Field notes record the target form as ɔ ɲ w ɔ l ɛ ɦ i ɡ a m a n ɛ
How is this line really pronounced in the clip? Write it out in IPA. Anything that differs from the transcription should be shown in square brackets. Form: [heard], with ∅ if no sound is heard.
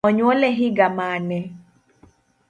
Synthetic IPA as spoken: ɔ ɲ w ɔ l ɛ ɦ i ɡ a m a n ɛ